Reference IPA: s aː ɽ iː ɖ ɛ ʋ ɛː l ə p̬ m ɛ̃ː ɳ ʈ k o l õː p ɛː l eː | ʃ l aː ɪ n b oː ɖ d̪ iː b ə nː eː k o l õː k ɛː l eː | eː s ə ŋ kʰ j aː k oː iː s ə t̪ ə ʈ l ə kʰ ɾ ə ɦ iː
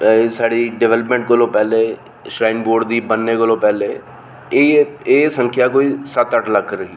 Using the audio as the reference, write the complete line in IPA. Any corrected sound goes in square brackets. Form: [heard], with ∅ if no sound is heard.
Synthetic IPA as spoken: s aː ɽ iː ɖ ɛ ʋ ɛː l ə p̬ m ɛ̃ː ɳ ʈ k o l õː p ɛː l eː | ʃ [ɾ] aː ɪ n b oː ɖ d̪ iː b ə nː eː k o l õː [p] ɛː l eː | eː s ə ŋ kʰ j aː k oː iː s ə t̪ ə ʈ l ə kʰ ɾ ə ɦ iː